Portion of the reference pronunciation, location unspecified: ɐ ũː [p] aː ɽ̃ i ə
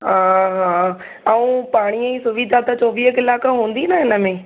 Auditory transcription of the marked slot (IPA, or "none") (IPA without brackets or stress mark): p